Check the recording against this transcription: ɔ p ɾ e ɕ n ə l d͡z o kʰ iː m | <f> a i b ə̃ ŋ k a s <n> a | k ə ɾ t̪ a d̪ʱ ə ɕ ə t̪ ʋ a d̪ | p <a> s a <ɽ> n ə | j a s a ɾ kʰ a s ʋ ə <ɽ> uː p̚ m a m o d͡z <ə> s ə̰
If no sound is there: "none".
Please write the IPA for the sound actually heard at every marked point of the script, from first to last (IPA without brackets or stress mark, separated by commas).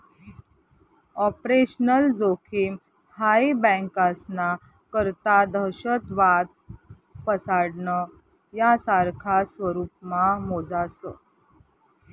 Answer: h, n, ə, ɽ, ɾ, a